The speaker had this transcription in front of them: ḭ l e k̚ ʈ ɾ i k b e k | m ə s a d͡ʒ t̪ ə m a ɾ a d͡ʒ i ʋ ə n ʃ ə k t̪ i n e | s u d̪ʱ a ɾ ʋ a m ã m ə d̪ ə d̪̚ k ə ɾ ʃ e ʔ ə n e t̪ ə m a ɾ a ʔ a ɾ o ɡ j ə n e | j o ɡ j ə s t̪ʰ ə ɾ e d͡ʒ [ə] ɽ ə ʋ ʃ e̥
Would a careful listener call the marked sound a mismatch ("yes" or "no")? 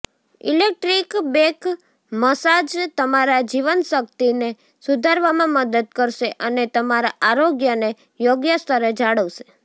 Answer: yes